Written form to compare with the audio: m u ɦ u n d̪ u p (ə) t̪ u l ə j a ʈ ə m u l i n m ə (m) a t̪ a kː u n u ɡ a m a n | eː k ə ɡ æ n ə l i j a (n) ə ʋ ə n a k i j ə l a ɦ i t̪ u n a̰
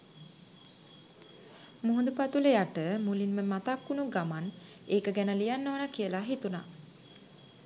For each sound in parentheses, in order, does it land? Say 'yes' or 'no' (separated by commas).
no, yes, no